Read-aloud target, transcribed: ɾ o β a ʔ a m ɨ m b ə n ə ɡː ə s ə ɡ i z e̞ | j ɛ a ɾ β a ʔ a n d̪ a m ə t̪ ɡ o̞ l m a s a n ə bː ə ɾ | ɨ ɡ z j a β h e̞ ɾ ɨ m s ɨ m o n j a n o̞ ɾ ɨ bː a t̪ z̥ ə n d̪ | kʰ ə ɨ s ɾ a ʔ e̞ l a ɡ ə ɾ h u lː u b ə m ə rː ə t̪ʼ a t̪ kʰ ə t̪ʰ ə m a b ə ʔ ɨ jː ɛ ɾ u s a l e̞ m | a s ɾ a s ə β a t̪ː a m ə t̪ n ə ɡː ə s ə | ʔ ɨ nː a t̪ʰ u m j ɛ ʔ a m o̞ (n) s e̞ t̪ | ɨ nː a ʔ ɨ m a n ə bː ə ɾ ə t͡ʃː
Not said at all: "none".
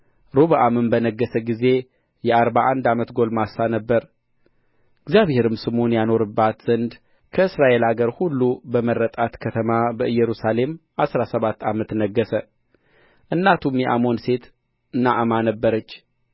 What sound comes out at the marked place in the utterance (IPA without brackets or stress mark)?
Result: n